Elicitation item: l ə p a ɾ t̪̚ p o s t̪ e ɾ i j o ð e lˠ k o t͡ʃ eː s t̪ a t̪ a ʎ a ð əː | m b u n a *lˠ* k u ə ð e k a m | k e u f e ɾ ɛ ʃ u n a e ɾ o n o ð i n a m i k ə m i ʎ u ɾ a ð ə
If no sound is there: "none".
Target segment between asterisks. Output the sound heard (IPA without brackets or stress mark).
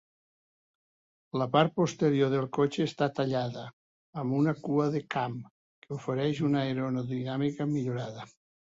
none